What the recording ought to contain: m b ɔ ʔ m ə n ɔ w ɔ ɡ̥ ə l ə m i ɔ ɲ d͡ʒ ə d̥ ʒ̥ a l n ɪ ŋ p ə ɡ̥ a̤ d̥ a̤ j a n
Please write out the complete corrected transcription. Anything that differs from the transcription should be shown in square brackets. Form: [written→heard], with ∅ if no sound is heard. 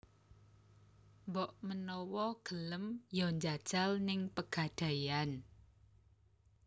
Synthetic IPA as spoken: m b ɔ ʔ m ə n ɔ w ɔ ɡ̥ ə l ə m [i→j] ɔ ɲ d͡ʒ [ə→a] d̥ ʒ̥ a l n ɪ ŋ p ə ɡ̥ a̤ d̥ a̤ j a n